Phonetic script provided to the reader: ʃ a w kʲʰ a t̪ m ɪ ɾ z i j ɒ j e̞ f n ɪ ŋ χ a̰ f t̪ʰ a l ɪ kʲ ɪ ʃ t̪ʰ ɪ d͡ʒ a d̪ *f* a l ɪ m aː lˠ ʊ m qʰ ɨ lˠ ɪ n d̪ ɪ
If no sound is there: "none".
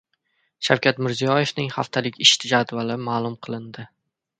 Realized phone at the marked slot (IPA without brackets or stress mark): v